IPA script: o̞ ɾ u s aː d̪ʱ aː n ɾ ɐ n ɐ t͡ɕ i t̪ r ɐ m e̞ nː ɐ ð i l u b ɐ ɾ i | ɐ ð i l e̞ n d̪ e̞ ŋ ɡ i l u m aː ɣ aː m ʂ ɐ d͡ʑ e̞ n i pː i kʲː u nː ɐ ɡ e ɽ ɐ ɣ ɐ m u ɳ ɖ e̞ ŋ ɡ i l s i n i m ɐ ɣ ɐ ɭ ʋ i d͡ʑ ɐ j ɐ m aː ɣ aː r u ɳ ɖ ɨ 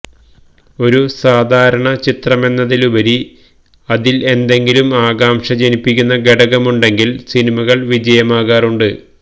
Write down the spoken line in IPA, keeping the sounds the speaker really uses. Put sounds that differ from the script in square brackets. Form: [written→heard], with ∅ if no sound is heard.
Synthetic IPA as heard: o̞ ɾ u s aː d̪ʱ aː [n→∅] ɾ ɐ [n→ɳ] ɐ t͡ɕ i t̪ r ɐ m e̞ nː ɐ ð i l u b ɐ ɾ i | ɐ ð i l e̞ n d̪ e̞ ŋ ɡ i l u m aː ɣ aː m ʂ ɐ d͡ʑ e̞ n i pː i kʲː u nː ɐ ɡ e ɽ ɐ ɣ ɐ m u ɳ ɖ e̞ ŋ ɡ i l s i n i m ɐ ɣ ɐ ɭ ʋ i d͡ʑ ɐ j ɐ m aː ɣ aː r u ɳ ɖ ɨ